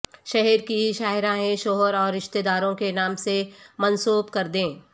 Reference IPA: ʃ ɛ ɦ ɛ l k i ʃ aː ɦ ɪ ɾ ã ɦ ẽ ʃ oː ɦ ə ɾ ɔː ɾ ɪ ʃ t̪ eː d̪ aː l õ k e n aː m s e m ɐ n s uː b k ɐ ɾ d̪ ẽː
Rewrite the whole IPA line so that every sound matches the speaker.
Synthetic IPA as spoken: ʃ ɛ ɦ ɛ ɾ k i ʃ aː ɦ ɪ ɾ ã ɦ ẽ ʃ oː ɦ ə ɾ ɔː ɾ ɪ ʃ t̪ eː d̪ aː ɾ õ k e n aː m s e m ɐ n s uː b k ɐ ɾ d̪ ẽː